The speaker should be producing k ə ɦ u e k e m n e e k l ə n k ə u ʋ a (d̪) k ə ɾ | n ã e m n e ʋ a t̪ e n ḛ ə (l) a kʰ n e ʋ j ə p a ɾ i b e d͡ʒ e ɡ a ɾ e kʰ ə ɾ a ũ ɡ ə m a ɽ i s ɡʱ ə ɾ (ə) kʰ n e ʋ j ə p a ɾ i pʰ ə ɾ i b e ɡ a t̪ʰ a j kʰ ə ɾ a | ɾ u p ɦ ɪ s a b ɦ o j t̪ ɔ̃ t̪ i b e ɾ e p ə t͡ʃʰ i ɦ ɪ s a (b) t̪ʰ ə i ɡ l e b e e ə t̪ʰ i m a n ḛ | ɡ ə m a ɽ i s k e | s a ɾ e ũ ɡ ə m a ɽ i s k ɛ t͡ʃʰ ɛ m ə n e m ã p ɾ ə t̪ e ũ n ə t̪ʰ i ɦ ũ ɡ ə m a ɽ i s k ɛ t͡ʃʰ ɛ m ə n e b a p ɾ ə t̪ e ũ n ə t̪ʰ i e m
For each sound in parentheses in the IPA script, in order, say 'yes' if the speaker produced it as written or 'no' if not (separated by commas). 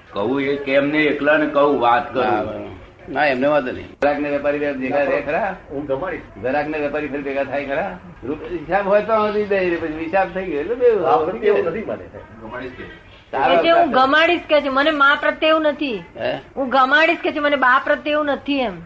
no, no, no, yes